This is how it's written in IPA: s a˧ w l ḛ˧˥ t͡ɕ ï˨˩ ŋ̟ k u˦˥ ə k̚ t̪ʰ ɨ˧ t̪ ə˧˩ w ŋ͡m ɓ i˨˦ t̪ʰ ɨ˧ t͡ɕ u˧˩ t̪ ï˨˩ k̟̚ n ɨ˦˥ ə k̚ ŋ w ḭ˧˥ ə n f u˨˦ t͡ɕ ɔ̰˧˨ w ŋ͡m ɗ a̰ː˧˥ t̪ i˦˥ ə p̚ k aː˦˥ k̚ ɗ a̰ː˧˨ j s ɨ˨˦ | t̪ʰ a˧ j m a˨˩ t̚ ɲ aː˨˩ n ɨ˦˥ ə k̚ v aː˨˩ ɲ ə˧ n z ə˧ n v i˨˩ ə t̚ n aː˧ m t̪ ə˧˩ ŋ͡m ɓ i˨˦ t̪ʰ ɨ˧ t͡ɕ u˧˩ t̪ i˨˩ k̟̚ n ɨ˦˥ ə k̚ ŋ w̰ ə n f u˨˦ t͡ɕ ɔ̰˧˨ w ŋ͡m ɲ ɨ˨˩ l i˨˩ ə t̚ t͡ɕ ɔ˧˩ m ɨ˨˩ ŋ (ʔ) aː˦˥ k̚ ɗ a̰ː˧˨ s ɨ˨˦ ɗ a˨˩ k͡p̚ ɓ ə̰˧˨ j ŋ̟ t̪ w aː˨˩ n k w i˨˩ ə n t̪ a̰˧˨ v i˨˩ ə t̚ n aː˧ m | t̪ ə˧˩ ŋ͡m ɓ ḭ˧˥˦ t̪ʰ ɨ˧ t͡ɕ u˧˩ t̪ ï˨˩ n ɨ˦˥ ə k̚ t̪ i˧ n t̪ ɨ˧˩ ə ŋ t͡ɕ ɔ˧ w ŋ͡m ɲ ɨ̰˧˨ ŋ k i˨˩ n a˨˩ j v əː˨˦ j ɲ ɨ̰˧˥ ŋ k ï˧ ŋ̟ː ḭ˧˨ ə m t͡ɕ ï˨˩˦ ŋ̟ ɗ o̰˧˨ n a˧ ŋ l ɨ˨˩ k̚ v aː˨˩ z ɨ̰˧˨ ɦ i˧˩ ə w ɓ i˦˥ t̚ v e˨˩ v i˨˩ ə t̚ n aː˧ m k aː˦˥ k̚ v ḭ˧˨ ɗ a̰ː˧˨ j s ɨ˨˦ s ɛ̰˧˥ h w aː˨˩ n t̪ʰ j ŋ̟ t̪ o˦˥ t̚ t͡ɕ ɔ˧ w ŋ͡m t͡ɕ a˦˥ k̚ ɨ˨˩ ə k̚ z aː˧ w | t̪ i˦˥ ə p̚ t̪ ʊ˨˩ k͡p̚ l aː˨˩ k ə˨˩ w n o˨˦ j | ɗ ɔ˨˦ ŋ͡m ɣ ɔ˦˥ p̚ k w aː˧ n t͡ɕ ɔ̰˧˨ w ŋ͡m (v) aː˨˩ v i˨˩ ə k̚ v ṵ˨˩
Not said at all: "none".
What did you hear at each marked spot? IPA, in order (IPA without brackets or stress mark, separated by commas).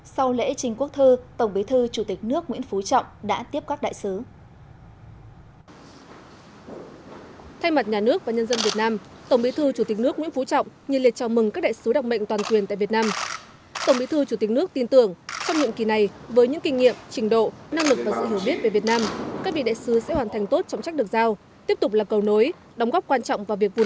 k, v